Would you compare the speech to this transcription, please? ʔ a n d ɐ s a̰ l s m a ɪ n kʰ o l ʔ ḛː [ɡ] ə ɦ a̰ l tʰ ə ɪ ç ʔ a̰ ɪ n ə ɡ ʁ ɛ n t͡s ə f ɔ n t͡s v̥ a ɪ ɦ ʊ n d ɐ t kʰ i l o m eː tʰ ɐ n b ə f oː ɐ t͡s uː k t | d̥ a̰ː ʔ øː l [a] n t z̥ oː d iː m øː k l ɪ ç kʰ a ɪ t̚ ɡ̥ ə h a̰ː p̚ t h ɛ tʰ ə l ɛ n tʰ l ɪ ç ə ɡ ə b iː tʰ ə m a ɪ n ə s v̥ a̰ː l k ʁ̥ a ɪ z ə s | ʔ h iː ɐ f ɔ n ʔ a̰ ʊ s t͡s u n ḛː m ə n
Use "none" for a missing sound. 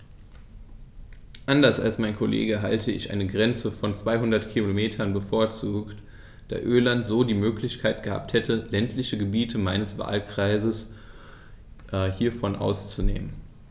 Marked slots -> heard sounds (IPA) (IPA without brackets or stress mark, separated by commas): ɡ, a